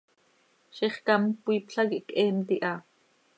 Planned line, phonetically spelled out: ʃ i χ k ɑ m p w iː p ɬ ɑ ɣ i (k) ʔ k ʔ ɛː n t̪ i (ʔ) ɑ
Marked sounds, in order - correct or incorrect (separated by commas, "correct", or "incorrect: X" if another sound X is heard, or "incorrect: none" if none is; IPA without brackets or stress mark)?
incorrect: none, correct